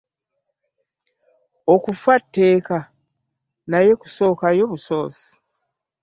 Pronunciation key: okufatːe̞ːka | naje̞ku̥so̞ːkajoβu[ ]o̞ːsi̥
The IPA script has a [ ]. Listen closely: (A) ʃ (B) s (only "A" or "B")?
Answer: B